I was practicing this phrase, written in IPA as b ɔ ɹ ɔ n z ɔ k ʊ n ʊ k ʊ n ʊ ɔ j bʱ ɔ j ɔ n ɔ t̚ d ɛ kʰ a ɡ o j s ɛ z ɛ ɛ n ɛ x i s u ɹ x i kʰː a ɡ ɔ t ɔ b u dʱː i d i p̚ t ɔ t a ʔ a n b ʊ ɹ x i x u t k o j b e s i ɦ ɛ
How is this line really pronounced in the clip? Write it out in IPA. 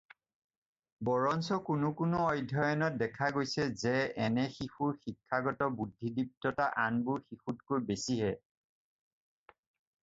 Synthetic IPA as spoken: b ɔ ɹ ɔ n s ɔ k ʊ n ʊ k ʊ n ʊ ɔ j dʱ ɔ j ɔ n ɔ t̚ d ɛ kʰ a ɡ o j s ɛ z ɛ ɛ n ɛ x i x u ɹ x i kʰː a ɡ ɔ t ɔ b u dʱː i d i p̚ t ɔ t a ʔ a n b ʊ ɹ x i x u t k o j b e s i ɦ ɛ